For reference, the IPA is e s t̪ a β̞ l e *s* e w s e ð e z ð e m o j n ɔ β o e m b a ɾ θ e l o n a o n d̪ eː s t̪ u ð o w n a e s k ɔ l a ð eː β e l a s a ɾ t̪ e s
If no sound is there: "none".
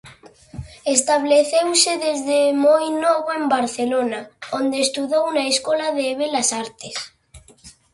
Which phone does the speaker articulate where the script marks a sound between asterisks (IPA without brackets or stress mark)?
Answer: θ